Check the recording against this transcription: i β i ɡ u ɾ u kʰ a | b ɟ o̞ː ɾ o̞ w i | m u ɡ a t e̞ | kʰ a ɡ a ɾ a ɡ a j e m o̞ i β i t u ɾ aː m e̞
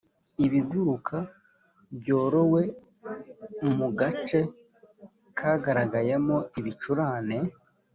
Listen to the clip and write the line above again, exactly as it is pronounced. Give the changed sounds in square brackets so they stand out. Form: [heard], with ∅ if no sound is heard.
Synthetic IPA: i β i ɡ u ɾ u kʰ a | b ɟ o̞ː ɾ o̞ w [e] | m u ɡ a [t͡ʃ] e̞ | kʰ a ɡ a ɾ a ɡ a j e m o̞ i β i [t͡ʃ] u ɾ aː [n] e̞